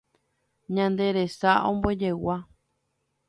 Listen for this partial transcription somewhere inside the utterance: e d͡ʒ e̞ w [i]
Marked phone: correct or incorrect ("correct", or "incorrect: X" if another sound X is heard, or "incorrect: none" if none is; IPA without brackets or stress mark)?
incorrect: a